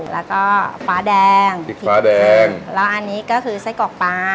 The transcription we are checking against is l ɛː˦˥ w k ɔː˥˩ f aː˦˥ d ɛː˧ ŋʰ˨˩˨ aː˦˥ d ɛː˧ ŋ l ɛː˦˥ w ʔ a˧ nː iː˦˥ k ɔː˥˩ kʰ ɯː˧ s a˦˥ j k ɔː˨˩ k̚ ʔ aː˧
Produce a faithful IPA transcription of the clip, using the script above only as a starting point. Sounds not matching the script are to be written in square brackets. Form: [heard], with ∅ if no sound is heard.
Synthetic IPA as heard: l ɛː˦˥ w k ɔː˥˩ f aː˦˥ d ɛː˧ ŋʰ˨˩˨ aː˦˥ d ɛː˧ ŋ l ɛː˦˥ w ʔ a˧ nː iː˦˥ k ɔː˥˩ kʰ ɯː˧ s a˦˥ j k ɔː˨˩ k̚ [p] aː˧